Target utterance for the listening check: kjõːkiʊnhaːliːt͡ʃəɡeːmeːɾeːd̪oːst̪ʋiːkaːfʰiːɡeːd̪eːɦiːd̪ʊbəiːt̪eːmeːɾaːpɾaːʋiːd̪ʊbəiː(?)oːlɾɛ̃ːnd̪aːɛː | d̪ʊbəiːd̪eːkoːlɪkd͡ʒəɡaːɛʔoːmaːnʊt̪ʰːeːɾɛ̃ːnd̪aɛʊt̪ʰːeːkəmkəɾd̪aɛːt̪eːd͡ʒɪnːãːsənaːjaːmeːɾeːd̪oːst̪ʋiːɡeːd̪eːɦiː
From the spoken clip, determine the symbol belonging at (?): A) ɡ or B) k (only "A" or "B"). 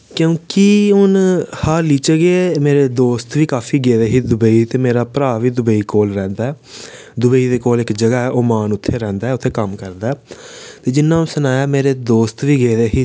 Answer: B